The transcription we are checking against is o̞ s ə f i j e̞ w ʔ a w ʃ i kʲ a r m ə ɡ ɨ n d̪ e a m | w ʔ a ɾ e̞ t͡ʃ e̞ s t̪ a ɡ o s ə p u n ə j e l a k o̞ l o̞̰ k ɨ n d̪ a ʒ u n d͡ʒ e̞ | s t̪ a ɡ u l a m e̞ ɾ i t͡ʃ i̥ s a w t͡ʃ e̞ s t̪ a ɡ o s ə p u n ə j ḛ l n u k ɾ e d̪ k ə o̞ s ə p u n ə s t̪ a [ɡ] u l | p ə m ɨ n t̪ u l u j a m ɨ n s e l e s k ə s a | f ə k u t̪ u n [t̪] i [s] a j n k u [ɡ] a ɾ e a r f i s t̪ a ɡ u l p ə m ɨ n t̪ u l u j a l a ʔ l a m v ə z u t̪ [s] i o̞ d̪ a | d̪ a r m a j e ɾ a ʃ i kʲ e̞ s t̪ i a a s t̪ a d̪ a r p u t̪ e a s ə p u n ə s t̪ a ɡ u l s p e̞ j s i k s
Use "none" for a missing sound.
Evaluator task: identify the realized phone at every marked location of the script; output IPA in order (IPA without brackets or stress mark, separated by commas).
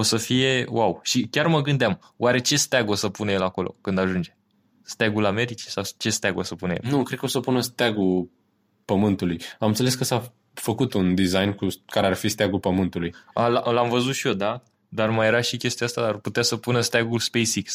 ɡ, d̪, z, k, ʃ